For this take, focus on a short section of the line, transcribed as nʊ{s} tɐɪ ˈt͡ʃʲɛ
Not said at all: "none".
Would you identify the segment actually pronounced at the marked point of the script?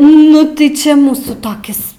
none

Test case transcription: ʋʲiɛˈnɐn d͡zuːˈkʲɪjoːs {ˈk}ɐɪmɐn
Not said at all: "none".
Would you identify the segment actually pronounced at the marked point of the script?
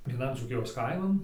k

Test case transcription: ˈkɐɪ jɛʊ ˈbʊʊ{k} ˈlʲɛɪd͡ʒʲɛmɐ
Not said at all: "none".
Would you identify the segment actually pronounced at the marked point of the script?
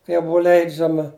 none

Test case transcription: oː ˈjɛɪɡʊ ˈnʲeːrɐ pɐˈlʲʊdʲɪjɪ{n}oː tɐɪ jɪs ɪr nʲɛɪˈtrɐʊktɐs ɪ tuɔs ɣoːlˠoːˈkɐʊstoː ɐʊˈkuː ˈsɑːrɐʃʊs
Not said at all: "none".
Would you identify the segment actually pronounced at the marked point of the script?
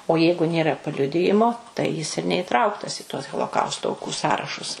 m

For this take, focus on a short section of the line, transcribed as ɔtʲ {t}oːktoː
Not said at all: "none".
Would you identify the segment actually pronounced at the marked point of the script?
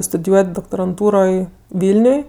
d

